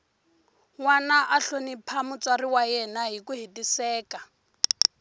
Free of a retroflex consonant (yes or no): yes